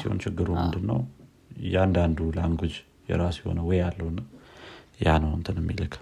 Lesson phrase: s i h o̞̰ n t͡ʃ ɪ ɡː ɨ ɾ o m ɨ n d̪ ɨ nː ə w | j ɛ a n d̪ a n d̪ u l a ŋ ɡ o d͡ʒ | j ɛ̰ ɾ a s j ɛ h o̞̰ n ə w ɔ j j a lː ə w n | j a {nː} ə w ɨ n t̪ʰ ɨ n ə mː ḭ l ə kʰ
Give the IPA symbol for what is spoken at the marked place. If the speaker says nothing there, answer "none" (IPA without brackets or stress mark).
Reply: n